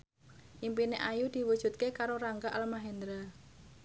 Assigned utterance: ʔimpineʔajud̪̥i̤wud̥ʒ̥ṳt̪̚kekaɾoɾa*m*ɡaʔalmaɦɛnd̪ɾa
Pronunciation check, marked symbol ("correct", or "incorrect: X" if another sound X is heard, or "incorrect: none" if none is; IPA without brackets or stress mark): incorrect: ŋ